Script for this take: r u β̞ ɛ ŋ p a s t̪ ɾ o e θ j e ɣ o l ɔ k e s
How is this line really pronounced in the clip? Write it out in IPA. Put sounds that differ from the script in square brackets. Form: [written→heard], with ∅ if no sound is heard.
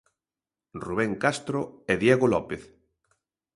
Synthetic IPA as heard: r u β̞ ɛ ŋ [p→k] a s t̪ ɾ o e [θ→ð] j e ɣ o l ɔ [k→p] e [s→θ]